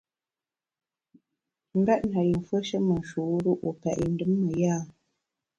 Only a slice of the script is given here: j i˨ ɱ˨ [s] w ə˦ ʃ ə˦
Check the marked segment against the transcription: incorrect: f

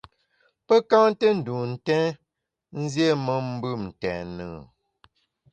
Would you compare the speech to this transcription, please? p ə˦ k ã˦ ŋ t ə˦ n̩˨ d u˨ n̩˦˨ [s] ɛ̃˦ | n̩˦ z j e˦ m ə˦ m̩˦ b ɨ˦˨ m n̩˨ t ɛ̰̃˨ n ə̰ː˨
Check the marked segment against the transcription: incorrect: t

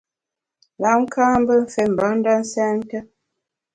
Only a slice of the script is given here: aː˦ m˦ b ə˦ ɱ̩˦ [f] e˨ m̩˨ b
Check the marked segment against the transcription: correct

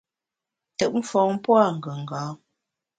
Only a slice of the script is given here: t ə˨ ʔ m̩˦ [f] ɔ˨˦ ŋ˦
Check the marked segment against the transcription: correct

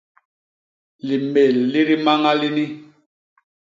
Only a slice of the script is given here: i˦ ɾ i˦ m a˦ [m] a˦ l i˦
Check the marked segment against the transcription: incorrect: ŋ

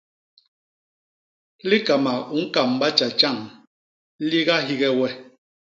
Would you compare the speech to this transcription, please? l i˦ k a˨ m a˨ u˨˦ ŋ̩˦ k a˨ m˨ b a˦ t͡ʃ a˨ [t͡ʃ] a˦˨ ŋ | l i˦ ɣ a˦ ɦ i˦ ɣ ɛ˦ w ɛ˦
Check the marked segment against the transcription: correct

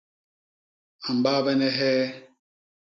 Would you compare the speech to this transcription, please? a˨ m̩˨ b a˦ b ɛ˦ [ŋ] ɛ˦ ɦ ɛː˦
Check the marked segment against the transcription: incorrect: n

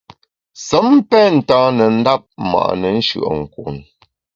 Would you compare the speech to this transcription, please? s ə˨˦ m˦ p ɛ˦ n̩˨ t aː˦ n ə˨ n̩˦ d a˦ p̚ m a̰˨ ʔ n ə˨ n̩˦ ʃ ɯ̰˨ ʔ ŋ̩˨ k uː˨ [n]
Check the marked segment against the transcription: correct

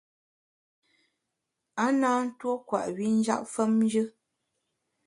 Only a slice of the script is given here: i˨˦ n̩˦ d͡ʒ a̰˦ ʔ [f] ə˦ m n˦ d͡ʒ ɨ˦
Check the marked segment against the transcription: correct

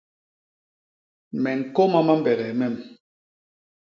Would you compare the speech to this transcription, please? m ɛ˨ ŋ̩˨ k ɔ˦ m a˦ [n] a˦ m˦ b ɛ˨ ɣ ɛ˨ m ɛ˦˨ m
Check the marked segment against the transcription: incorrect: m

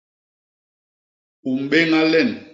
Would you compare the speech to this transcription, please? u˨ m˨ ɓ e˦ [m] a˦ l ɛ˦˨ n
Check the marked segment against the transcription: incorrect: ŋ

